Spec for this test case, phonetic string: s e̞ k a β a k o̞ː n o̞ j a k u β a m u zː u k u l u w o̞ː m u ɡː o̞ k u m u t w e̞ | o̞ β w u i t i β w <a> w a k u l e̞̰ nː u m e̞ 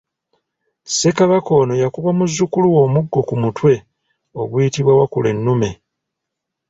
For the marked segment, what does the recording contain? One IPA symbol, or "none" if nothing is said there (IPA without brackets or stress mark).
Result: a